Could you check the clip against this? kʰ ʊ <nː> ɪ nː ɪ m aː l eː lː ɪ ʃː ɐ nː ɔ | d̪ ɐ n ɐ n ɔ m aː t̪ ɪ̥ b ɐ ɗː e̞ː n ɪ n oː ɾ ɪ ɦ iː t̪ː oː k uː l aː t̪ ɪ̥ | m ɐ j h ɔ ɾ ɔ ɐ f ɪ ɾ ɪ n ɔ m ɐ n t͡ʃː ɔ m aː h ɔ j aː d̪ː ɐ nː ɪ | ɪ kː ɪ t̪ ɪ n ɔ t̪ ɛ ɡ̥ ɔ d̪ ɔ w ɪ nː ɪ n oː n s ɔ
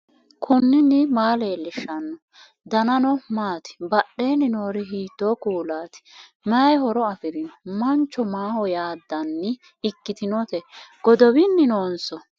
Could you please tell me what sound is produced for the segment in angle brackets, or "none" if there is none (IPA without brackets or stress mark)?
nː